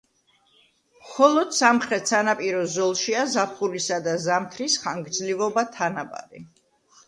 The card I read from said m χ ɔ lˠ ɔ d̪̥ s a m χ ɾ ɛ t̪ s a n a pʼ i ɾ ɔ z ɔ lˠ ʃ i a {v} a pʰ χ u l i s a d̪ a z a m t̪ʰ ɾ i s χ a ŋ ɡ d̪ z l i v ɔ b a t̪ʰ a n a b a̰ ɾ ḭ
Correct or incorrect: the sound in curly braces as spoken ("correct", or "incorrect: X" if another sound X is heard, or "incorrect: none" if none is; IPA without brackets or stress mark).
incorrect: z